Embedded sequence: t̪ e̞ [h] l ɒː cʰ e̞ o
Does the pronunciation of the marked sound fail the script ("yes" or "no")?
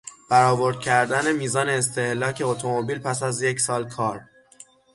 no